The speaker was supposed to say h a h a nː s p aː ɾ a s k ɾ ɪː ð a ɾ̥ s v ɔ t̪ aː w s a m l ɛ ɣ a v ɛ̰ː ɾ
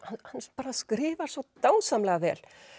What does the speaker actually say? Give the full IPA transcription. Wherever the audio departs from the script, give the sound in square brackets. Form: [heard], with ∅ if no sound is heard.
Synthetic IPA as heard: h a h a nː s p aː ɾ a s k ɾ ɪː [v] a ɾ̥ s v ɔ t̪ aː w s a m l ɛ ɣ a v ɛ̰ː [l]